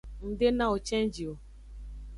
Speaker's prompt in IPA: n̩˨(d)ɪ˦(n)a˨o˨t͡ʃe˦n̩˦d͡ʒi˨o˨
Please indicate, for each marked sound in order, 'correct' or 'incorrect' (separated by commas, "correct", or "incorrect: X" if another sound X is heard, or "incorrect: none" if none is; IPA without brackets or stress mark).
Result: correct, correct